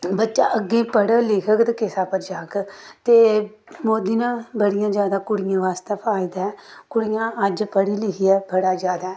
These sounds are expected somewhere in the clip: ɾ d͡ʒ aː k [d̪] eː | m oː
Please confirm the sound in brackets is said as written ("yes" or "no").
no